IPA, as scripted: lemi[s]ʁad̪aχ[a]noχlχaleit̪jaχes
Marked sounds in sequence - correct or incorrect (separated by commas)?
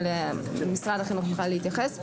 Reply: correct, incorrect